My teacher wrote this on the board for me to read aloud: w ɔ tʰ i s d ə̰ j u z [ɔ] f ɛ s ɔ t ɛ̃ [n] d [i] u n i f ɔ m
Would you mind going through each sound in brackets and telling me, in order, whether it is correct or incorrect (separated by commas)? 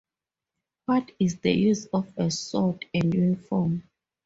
correct, correct, incorrect